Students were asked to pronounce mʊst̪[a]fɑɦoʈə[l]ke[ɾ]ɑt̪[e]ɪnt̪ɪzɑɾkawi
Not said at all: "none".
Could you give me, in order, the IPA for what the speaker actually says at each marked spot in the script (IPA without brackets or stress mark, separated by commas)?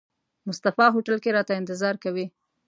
a, l, ɾ, a